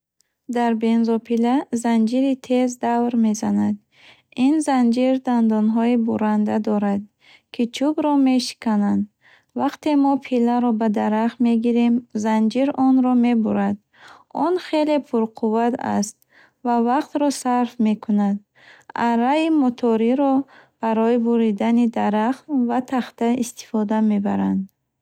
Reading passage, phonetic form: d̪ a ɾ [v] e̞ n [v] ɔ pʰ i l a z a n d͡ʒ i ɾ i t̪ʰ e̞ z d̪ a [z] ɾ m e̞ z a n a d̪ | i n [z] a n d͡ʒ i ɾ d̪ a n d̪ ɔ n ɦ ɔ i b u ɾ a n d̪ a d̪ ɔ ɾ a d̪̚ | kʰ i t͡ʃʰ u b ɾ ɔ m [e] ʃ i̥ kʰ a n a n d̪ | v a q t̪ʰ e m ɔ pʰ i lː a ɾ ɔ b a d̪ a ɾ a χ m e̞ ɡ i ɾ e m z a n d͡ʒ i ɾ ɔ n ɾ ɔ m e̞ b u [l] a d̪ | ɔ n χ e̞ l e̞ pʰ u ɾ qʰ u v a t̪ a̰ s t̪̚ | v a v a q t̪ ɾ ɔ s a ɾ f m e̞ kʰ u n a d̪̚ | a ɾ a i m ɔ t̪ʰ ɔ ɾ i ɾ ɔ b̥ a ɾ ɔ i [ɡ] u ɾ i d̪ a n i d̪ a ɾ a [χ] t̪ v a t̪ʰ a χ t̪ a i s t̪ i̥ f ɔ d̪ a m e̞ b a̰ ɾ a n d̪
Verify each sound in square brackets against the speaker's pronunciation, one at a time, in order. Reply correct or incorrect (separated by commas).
incorrect, incorrect, incorrect, correct, correct, incorrect, incorrect, correct